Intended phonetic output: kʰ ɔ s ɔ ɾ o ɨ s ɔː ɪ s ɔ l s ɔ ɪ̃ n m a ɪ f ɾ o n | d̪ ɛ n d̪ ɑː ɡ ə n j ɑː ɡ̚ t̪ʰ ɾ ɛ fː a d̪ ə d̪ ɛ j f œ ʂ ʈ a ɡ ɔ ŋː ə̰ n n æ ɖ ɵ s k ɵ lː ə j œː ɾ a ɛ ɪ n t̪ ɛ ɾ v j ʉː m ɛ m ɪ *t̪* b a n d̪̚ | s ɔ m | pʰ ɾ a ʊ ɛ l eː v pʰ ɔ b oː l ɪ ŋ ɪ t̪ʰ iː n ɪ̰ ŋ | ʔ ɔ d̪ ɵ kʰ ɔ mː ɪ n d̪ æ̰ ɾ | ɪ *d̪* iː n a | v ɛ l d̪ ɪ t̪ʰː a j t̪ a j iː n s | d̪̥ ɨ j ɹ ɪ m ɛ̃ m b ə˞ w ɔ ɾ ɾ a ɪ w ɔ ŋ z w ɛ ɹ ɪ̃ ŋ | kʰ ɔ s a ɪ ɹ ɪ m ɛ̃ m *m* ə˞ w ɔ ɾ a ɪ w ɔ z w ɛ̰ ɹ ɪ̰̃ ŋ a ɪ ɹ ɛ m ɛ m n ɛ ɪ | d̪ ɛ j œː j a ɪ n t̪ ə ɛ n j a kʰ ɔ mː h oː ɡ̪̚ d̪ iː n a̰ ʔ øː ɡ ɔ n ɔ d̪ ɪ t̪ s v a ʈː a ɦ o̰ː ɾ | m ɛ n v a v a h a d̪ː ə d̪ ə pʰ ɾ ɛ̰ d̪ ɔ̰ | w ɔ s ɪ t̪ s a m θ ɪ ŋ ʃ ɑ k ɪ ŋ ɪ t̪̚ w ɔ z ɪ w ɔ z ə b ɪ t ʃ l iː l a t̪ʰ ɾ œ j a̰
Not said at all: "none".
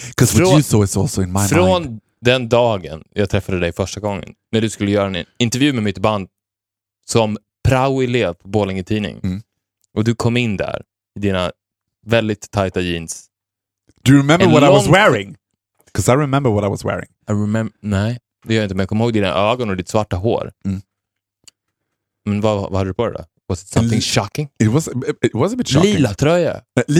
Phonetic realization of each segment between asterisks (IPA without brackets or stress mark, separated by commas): t̪, d̪, b